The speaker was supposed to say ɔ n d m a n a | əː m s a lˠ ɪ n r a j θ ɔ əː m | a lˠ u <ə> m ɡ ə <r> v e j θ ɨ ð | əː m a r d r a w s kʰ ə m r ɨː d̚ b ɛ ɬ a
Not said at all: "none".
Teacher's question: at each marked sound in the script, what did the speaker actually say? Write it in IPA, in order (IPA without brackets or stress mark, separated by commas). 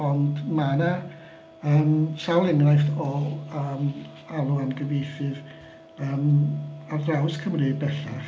a, none